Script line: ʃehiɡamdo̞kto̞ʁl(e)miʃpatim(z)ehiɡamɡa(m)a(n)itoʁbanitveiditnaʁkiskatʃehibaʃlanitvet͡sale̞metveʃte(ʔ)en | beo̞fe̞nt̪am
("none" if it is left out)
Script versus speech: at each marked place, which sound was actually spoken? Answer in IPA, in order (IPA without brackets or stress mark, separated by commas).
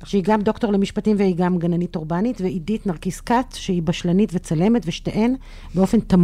e, v, n, n, ʔ